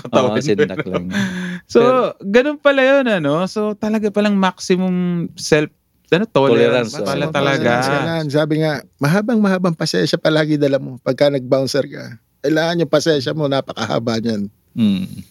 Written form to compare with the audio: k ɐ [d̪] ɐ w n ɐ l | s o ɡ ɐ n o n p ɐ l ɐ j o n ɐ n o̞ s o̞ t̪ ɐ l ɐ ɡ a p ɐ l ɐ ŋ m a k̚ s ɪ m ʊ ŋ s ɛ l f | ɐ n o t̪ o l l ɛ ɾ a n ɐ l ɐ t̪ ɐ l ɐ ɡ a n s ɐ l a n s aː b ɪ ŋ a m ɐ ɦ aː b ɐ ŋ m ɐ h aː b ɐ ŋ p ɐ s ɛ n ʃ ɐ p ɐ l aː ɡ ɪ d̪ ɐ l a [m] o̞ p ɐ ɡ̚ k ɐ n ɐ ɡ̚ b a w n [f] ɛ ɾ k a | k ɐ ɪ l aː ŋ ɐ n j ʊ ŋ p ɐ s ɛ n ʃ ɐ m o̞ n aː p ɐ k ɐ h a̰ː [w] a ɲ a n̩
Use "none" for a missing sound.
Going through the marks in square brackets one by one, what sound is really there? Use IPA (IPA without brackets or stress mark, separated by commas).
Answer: t̪, m, s, b